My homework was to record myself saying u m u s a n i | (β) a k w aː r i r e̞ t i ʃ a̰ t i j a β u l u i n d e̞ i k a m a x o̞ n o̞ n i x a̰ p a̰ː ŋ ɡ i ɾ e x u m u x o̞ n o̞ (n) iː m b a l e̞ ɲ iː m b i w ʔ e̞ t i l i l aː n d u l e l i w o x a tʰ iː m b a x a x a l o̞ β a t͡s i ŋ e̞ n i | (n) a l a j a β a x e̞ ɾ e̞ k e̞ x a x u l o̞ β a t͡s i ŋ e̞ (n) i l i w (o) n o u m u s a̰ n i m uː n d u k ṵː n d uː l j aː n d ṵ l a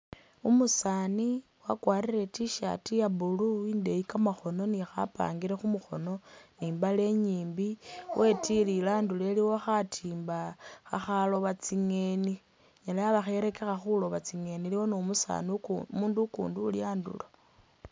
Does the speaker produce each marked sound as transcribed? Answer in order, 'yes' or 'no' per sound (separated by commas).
no, yes, no, yes, yes